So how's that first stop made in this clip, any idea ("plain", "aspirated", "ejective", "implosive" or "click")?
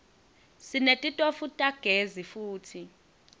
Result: ejective